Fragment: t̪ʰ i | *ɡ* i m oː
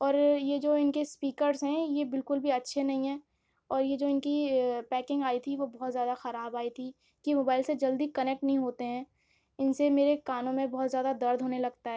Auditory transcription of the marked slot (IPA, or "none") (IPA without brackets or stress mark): k